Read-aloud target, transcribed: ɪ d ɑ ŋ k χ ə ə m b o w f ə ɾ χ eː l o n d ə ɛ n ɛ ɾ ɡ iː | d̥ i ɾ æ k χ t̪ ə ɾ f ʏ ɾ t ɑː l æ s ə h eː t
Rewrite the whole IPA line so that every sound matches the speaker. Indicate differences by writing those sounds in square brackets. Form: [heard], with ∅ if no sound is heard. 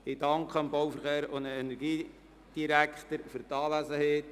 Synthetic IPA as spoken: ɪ d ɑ ŋ k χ ə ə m b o w f ə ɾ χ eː [ɾ] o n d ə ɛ n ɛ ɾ ɡ iː | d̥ i ɾ æ k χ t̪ ə ɾ f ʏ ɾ t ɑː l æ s ə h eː t